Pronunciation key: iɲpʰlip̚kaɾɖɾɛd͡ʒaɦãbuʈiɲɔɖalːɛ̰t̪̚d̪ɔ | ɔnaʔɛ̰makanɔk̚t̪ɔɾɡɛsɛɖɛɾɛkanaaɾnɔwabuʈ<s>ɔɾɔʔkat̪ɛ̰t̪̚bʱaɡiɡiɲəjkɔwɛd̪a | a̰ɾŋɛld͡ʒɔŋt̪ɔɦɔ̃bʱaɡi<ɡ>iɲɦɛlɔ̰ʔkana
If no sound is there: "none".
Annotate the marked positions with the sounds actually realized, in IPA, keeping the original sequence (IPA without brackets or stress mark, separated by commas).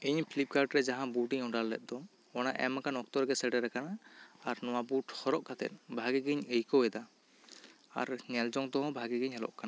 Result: h, ɡ